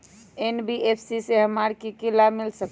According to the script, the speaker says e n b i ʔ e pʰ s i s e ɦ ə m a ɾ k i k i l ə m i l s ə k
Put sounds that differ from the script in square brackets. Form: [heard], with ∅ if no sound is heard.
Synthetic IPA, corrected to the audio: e n b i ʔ e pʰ s i s e ɦ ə m a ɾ k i k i l [a] m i l s ə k